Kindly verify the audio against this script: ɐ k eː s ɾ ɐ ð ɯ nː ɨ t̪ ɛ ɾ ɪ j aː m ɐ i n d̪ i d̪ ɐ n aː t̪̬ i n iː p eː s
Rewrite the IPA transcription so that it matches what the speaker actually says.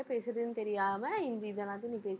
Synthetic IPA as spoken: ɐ p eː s ɾ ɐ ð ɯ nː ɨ t̪ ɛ ɾ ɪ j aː m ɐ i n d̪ i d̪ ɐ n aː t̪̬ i n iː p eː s